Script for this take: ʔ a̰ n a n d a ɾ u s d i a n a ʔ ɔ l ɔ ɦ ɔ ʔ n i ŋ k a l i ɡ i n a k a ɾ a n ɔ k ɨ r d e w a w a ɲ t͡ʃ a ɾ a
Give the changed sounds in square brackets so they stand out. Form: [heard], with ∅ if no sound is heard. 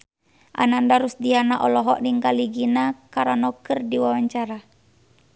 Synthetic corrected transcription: ʔ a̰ n a n d a ɾ u s d i a n a ʔ ɔ l ɔ ɦ ɔ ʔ n i ŋ k a l i ɡ i n a k a ɾ a n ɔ k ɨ r d [i] w a w a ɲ t͡ʃ a ɾ a